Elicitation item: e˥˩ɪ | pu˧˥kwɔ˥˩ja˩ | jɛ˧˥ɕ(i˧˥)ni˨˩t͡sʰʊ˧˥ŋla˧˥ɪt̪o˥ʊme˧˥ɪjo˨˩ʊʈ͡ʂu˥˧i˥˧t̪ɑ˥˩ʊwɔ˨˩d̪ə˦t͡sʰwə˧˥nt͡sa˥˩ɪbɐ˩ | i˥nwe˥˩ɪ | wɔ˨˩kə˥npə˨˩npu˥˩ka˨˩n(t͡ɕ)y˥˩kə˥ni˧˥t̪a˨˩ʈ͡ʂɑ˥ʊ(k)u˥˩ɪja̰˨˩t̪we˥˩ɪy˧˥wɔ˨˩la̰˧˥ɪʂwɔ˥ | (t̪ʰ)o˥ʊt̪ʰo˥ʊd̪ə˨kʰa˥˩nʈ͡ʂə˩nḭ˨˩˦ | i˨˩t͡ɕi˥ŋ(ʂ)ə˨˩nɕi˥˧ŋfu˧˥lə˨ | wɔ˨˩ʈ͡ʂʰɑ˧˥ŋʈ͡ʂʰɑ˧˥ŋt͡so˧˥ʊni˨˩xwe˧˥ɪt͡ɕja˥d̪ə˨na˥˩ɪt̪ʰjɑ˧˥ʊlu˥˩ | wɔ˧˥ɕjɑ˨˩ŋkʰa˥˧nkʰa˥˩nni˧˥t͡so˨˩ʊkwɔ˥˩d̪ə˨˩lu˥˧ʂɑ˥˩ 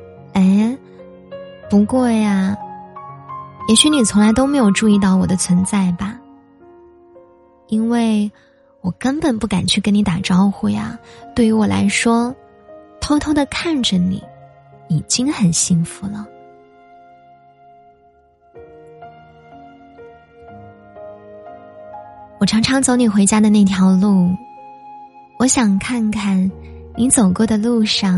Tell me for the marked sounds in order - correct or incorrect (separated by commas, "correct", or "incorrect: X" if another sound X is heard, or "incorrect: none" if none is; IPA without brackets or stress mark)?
incorrect: y˧˥, incorrect: t͡ɕʰ, incorrect: x, correct, incorrect: x